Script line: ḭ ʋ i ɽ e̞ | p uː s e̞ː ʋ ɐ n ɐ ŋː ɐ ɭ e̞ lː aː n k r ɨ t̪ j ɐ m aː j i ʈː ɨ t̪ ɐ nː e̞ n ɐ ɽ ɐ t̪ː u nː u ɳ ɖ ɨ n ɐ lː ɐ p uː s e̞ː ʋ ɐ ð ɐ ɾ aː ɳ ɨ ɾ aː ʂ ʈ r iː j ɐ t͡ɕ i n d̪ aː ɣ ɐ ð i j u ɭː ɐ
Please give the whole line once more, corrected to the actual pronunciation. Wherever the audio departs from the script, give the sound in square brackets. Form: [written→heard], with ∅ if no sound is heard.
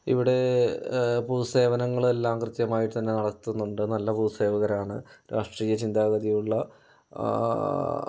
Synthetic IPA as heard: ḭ ʋ i ɽ e̞ | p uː s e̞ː ʋ ɐ n ɐ ŋː ɐ ɭ e̞ lː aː [n→m] k r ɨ t̪ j ɐ m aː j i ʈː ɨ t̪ ɐ nː e̞ n ɐ ɽ ɐ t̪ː u nː u ɳ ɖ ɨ n ɐ lː ɐ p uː s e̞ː ʋ ɐ [ð→ɣ] ɐ ɾ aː ɳ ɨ ɾ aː ʂ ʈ r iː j ɐ t͡ɕ i n d̪ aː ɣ ɐ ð i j u ɭː ɐ